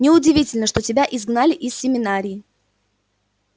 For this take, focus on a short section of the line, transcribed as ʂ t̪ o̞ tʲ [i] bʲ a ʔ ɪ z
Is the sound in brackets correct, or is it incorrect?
incorrect